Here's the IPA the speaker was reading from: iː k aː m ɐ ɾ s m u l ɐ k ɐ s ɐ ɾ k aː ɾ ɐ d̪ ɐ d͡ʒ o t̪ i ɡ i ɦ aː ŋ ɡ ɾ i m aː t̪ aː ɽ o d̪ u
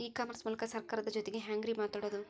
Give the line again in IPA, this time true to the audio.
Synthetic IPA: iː k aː m ɐ ɾ s m uː l ɐ k ɐ s ɐ ɾ k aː ɾ ɐ d̪ ɐ d͡ʒ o t̪ e ɡ e ɦ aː ŋ ɡ ɾ i m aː t̪ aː ɽ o d̪ u